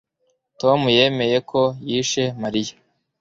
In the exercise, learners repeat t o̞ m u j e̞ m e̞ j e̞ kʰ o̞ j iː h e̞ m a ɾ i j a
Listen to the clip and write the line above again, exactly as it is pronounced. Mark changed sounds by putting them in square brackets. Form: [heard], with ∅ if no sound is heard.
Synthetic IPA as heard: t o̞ m u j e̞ m e̞ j e̞ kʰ o̞ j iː [ʃ] e̞ m a ɾ i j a